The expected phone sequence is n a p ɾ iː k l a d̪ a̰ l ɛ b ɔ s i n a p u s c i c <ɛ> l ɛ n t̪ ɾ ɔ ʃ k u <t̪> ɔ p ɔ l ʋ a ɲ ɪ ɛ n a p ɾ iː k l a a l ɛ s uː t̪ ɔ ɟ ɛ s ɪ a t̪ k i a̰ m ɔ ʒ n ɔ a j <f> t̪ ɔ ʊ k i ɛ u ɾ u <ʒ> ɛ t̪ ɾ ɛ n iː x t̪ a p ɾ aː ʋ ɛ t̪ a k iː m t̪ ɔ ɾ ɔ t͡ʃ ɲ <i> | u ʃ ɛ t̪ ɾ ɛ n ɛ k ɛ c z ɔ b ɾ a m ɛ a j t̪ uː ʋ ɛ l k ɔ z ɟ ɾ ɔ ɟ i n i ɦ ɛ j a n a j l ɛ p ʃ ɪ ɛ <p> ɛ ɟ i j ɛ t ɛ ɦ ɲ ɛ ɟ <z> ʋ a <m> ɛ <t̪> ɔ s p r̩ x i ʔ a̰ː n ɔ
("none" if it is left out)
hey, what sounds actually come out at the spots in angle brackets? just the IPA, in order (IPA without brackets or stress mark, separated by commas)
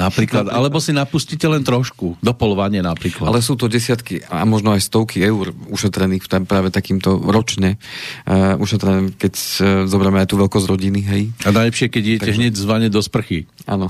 ɛ, d̪, s, ʃ, ɛ, k, z, ɲ, d̪